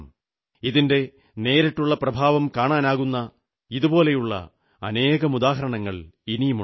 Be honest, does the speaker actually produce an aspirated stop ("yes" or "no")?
no